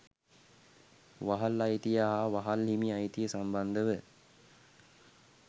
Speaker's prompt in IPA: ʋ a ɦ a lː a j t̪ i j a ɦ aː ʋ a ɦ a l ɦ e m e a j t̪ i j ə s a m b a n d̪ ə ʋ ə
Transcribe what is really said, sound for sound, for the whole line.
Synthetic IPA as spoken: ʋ a ɦ a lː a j t̪ i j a ɦ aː ʋ a ɦ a l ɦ i m i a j t̪ i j ə s a m b a n d̪ ə ʋ ə